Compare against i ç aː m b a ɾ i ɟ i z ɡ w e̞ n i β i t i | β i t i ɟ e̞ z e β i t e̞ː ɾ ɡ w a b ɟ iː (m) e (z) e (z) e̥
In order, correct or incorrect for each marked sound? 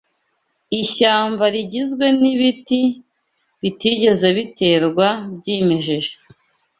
correct, incorrect: ʒ, incorrect: ʒ

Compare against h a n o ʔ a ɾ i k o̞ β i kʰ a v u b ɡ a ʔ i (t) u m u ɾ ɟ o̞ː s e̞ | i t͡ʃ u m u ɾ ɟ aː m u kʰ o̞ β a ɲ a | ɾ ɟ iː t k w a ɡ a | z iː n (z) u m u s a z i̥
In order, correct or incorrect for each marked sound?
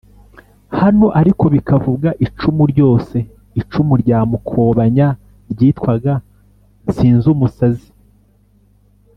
incorrect: t͡ʃ, correct

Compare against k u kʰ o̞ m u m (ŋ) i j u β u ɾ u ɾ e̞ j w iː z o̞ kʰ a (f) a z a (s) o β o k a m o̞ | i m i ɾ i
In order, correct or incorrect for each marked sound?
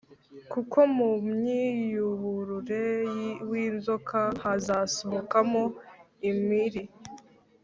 incorrect: ɲ, incorrect: h, correct

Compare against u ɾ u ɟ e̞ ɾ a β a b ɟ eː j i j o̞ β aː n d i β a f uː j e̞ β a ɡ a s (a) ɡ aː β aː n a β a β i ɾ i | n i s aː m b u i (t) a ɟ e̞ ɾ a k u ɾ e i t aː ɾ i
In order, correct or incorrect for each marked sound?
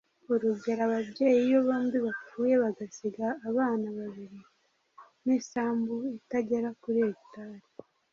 incorrect: i, correct

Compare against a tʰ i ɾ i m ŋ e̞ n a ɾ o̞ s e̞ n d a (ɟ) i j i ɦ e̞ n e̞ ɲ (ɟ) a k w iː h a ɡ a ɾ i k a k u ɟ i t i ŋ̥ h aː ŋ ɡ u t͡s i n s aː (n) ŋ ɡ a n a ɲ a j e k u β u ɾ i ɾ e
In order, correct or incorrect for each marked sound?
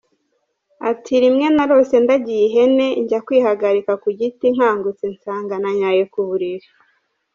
correct, correct, incorrect: none

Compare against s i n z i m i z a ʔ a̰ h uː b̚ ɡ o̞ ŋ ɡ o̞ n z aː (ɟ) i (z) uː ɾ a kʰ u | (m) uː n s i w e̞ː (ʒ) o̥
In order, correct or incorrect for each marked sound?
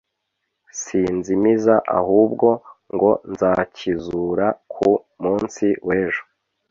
incorrect: c, correct, correct, correct

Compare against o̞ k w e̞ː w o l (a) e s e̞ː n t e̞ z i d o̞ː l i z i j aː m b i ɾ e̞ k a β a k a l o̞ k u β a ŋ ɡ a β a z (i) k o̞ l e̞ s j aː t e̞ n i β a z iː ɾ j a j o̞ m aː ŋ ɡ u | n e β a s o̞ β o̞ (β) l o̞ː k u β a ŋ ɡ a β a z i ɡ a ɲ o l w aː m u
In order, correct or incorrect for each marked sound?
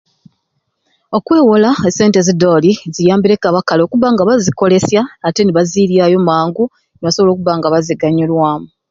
correct, correct, incorrect: none

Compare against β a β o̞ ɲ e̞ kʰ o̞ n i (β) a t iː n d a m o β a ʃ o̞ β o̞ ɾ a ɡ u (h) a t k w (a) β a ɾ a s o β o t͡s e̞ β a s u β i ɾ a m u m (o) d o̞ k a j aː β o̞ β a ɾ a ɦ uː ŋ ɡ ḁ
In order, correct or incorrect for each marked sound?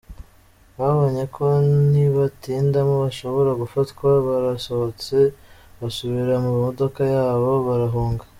correct, incorrect: f, correct, correct

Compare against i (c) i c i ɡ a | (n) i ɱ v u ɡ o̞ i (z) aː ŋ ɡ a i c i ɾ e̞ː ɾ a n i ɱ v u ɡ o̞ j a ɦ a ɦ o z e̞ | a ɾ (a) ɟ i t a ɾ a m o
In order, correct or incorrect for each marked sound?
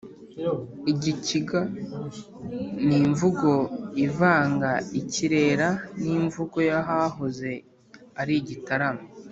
incorrect: ɟ, correct, incorrect: v, incorrect: i

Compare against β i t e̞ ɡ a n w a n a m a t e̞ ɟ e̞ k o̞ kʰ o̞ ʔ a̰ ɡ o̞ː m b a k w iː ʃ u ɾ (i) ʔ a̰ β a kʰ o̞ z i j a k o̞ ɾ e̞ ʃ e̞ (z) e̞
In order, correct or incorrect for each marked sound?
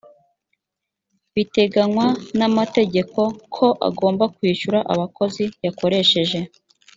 incorrect: a, incorrect: ʒ

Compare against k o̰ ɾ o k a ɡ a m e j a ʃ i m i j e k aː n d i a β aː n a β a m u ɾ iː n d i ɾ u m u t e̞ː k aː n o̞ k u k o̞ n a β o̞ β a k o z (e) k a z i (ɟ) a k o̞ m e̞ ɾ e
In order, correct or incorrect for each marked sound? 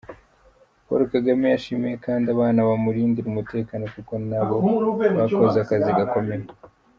incorrect: a, incorrect: ɡ

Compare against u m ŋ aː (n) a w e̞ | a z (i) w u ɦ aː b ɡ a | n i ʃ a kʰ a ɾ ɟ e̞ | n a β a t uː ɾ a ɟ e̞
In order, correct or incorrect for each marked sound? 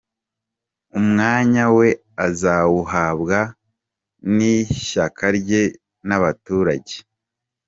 incorrect: ɲ, incorrect: a

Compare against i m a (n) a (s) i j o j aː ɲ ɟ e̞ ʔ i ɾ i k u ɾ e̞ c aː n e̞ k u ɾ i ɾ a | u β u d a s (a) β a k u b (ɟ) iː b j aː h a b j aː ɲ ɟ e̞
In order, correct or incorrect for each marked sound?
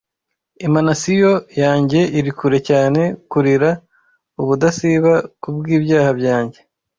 correct, correct, incorrect: i, incorrect: ɡ

